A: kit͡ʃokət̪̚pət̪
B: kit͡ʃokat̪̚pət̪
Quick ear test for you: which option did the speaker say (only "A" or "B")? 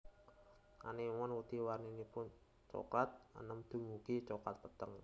B